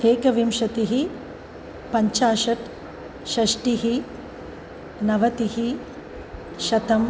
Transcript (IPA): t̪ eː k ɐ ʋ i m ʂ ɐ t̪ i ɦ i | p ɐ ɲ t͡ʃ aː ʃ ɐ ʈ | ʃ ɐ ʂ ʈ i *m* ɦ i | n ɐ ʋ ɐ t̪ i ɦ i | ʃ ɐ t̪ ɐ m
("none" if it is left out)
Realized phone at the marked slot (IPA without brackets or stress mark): none